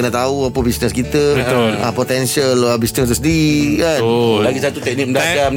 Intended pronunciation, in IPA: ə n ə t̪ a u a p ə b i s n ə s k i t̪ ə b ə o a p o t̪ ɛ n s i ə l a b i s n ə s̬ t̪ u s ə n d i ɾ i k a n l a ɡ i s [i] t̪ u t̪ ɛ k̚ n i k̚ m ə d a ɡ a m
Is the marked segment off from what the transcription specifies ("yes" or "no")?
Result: yes